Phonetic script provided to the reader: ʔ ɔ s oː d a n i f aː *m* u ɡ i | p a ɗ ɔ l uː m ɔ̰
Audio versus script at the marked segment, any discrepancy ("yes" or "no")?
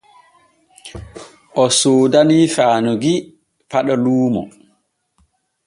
yes